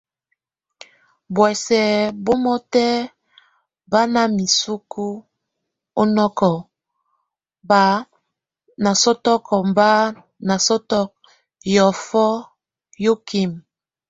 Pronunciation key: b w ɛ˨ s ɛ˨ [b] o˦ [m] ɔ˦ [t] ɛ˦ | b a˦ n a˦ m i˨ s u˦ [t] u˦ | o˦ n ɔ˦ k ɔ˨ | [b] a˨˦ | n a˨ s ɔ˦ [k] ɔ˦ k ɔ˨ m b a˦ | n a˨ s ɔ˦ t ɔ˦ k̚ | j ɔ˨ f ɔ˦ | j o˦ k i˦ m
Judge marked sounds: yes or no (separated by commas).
yes, yes, yes, no, yes, no